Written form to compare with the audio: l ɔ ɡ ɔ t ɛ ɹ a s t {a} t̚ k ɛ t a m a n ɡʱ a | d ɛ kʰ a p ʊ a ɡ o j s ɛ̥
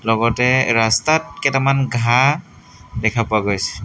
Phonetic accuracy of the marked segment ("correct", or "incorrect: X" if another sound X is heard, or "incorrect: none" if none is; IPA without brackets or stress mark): correct